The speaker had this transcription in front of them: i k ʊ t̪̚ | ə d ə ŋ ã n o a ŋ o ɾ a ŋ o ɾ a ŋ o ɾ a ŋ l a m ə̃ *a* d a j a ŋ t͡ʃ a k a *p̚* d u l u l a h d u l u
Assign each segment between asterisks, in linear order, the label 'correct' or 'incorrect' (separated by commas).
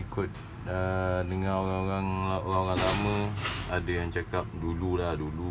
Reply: correct, correct